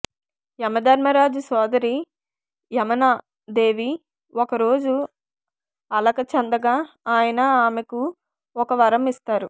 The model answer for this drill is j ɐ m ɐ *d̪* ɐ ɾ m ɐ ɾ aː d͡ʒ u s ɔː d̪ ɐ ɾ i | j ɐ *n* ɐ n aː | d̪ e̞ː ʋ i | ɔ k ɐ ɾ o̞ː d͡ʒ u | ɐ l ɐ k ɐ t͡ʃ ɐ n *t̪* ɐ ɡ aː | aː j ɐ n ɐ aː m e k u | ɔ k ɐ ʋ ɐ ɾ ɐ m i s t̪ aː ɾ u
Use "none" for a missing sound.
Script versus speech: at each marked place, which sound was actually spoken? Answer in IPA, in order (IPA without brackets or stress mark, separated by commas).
d̪, m, d̪